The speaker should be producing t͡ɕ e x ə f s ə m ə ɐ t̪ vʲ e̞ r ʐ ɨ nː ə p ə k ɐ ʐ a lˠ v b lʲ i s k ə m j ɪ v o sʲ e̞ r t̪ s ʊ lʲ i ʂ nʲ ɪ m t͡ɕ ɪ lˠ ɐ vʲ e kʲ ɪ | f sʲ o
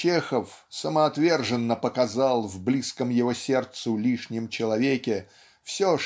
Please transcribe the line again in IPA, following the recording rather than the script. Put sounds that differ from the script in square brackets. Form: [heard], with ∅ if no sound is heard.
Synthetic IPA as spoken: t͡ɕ e x ə f s ə m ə ɐ t̪ vʲ e̞ r ʐ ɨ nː ə p ə k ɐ [z] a lˠ v b lʲ i s k ə m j ɪ v o sʲ e̞ r t̪ s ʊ lʲ i ʂ nʲ ɪ m t͡ɕ ɪ lˠ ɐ vʲ e kʲ ɪ | f sʲ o